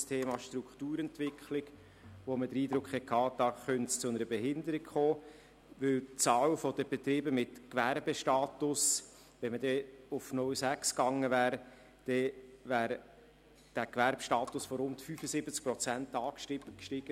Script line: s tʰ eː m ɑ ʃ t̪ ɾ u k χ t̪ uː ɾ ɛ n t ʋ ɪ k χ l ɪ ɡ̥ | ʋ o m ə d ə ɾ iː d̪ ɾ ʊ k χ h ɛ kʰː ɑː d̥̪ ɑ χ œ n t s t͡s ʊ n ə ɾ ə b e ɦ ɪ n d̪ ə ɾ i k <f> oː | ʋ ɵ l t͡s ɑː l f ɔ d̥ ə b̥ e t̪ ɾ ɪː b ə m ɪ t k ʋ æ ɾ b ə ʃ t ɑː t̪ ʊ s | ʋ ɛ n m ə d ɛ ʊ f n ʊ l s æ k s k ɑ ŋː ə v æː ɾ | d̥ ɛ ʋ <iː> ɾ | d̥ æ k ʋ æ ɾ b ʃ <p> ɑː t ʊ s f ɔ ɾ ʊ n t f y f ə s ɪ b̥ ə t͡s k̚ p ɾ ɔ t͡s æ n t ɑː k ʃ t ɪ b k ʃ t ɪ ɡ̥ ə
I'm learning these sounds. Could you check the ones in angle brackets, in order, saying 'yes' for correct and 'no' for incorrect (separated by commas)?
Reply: no, no, no